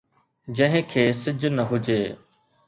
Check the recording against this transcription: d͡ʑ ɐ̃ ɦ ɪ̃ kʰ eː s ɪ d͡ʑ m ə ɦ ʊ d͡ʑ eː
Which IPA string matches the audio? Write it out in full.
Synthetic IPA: d͡ʑ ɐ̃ ɦ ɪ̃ kʰ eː s ɪ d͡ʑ n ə ɦ ʊ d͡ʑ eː